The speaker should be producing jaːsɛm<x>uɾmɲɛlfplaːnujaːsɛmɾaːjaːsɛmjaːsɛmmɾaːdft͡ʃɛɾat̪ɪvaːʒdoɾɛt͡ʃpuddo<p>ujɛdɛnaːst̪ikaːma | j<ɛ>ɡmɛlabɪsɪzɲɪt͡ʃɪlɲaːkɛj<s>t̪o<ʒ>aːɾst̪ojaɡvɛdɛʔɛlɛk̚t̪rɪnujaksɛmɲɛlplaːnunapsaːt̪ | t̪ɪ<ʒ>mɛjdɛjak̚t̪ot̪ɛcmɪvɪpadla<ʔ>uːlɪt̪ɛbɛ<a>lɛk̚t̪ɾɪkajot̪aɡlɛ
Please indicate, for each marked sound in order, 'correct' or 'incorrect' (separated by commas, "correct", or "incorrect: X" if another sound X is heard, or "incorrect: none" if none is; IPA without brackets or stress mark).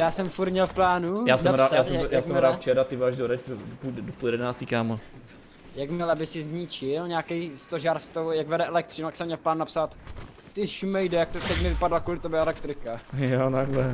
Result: incorrect: f, correct, incorrect: a, correct, correct, incorrect: ʃ, incorrect: k, incorrect: ɛ